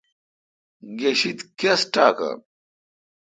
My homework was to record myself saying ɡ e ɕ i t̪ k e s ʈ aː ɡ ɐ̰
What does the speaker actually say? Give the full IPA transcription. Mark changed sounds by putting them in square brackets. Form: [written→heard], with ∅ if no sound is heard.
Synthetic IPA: ɡ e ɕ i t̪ k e s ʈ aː [ɡ→k] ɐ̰